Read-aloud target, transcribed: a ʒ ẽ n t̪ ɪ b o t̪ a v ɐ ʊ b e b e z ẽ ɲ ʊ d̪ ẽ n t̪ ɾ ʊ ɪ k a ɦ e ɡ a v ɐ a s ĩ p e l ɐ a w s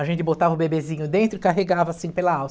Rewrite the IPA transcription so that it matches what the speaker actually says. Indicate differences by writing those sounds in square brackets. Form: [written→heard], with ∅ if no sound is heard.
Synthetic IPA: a ʒ ẽ n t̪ ɪ b o t̪ a v ɐ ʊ b e b e z [ẽ→ĩ] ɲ ʊ d̪ ẽ n t̪ ɾ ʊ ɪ k a ɦ e ɡ a v ɐ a s ĩ p e l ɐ a w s